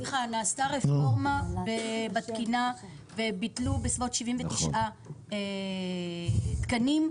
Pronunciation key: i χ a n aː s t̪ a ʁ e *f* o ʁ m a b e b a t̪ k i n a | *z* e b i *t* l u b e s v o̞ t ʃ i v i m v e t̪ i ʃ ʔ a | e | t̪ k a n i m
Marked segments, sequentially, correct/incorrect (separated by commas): correct, incorrect, correct